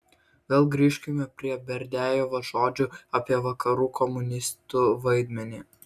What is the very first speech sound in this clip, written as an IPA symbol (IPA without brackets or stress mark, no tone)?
ʋʲ